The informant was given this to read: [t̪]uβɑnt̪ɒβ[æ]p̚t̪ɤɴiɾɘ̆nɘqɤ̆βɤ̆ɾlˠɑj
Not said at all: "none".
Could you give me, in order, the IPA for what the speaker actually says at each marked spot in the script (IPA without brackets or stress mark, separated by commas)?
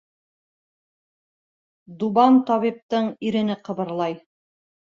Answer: d̪, i